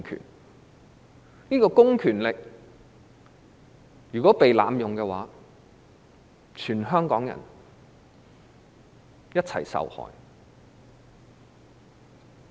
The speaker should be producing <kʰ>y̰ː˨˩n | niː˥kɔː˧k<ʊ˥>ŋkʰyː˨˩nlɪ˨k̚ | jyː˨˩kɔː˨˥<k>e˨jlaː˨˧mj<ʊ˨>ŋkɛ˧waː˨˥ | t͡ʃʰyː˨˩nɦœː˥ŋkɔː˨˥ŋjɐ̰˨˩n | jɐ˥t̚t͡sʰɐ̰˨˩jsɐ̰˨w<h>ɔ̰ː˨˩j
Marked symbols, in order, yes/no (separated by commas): yes, yes, no, yes, yes